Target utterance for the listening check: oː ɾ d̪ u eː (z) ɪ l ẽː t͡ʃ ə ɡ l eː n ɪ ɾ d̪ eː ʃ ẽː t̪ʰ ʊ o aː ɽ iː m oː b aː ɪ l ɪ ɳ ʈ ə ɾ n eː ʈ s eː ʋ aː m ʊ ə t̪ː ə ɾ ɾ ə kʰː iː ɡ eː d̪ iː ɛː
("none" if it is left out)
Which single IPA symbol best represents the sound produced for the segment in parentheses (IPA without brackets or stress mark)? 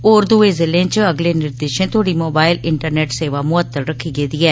z